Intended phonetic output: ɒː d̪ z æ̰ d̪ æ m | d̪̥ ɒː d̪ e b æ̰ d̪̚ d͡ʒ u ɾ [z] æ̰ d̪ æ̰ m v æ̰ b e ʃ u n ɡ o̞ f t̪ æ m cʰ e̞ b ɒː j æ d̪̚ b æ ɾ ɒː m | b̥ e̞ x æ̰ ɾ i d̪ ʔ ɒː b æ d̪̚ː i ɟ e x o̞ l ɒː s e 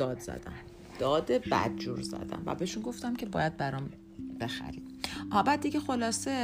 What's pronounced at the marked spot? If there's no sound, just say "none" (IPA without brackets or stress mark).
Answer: z